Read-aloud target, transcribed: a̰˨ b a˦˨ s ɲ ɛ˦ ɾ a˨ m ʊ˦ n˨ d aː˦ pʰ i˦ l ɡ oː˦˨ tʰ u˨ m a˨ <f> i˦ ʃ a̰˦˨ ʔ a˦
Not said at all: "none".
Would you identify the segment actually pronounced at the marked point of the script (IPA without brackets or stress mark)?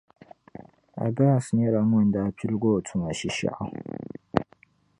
ʃ